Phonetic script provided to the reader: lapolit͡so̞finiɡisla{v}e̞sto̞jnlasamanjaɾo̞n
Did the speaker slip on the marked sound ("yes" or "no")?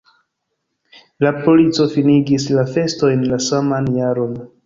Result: yes